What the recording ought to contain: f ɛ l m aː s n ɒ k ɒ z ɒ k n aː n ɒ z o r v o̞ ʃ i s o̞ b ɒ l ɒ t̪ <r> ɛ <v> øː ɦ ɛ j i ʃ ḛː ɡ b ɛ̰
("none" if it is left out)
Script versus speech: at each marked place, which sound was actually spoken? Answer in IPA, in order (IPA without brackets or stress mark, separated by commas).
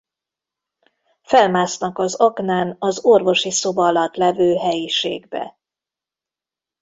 l, v